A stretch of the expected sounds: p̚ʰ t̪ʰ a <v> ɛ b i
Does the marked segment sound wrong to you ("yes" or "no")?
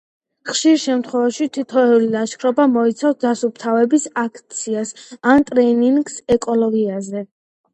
no